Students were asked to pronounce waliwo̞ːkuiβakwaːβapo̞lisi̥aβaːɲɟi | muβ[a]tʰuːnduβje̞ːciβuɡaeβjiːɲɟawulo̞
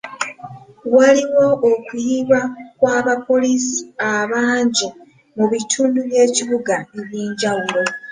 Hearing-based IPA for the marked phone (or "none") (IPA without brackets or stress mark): i